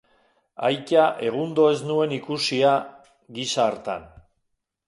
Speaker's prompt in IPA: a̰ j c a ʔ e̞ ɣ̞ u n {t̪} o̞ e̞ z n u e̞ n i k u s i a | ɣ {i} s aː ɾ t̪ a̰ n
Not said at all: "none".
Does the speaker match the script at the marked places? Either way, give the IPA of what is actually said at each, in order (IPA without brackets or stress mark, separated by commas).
d̪, i